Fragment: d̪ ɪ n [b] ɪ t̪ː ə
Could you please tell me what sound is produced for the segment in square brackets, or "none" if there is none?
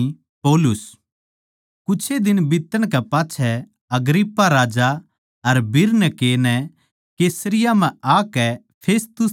b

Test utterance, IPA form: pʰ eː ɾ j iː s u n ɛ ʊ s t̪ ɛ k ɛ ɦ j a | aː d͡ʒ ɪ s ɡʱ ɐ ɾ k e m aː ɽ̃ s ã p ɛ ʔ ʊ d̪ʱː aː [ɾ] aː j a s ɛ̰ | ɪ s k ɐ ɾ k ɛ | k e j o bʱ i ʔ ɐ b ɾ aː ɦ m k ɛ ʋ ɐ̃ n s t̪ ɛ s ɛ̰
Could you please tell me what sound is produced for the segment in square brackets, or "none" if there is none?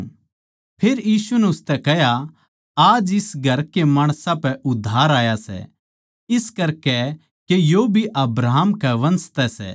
ɾ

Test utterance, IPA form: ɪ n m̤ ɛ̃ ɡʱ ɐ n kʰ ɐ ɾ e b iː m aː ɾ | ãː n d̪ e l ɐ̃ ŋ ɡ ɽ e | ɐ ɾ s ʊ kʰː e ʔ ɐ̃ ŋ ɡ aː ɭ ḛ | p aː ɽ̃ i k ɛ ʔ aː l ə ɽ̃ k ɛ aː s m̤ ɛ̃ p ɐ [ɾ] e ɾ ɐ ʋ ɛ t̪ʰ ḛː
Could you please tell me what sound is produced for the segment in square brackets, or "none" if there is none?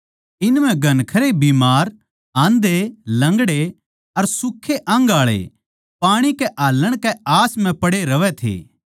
ɽ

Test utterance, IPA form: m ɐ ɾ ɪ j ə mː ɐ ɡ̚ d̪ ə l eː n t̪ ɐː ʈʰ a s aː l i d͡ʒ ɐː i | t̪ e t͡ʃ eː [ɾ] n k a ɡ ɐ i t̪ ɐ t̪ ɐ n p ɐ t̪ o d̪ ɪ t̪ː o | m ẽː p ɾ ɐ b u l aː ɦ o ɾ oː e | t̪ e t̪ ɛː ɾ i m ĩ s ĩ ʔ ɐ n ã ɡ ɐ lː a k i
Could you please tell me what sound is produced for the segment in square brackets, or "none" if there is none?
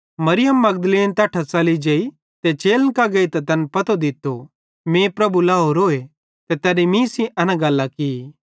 l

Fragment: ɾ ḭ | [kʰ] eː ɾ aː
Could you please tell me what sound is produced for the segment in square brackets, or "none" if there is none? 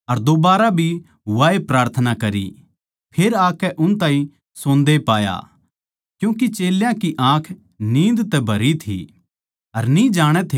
pʰ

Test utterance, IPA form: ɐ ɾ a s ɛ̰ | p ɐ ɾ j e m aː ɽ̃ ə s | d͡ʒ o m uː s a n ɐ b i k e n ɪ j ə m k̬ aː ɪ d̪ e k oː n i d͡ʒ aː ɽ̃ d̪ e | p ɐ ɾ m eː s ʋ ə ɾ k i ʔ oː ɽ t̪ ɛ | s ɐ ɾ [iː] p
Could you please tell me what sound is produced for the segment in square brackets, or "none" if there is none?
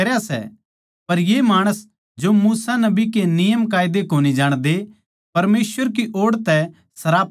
aː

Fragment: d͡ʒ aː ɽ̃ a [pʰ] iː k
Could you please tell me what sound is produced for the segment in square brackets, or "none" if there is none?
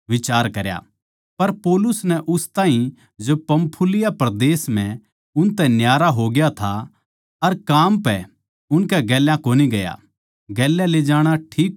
ʈʰ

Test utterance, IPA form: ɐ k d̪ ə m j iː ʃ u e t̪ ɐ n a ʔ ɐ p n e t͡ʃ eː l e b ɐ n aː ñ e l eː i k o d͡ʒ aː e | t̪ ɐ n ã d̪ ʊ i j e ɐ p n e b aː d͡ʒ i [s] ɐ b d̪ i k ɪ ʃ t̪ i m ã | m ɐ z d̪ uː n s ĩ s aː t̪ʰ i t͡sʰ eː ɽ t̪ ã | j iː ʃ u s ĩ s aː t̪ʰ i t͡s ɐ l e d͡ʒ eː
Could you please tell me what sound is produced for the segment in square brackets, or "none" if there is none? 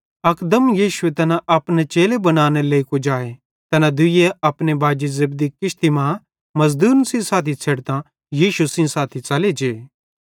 z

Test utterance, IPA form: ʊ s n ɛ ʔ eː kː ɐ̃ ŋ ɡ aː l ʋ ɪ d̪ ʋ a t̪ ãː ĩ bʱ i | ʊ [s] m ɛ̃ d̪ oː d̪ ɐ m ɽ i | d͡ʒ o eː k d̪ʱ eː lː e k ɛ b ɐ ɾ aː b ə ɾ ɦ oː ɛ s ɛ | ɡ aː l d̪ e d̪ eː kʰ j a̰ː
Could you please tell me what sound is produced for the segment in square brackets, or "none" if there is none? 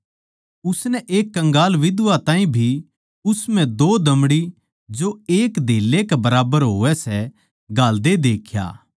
s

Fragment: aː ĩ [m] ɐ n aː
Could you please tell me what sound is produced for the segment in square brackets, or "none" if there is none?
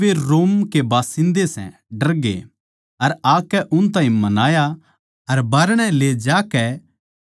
m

